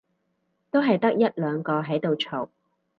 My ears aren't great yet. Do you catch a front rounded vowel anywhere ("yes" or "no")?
yes